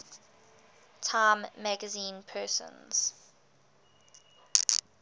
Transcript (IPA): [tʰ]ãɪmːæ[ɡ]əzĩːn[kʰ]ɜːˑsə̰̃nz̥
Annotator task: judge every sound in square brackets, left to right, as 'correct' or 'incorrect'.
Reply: correct, correct, incorrect: pʰ

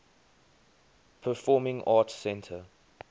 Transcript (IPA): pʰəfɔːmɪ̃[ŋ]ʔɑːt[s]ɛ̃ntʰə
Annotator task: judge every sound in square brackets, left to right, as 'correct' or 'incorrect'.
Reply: correct, correct

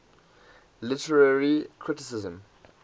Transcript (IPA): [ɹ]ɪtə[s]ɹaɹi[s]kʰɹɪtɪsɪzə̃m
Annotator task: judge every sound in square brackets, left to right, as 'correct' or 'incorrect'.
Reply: incorrect: l, incorrect: none, incorrect: none

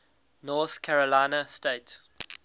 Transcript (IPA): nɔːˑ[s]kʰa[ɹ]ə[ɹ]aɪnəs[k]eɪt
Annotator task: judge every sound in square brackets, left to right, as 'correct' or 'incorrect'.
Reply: incorrect: θ, correct, incorrect: l, incorrect: t

